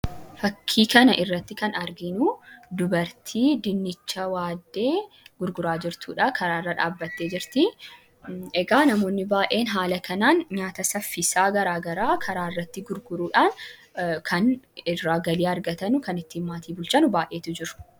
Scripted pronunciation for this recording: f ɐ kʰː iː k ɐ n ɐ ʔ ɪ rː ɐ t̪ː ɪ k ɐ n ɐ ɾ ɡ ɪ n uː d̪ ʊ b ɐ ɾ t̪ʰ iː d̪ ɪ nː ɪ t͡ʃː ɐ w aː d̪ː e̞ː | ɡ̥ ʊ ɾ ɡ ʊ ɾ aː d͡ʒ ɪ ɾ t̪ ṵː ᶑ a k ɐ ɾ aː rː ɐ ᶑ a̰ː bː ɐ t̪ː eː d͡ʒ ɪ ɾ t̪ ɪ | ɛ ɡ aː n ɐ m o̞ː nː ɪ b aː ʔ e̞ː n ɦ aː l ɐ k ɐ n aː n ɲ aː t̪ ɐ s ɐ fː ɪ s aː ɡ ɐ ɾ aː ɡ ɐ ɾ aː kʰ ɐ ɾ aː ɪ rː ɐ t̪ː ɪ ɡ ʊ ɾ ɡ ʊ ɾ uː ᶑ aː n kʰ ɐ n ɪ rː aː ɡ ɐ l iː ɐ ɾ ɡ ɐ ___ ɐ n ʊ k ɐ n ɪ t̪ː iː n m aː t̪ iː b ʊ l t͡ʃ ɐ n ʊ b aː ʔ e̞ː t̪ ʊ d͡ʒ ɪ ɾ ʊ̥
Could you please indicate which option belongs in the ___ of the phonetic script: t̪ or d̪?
t̪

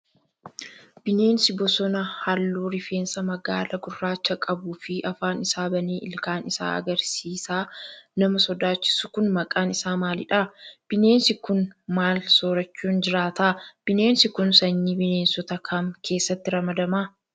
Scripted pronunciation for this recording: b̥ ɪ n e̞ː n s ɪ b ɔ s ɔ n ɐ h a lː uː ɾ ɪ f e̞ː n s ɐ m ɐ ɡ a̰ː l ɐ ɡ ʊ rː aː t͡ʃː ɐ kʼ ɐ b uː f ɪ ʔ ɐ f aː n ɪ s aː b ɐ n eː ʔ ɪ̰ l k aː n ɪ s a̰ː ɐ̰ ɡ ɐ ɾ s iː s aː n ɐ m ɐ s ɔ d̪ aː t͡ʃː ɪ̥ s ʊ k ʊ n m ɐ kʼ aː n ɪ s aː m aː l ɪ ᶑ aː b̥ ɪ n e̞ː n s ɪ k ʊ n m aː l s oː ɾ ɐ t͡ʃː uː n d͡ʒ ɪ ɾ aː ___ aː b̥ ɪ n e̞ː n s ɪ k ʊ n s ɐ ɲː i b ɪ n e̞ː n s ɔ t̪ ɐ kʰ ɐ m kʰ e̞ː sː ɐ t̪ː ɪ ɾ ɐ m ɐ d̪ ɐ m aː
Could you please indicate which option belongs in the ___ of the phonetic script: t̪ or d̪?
t̪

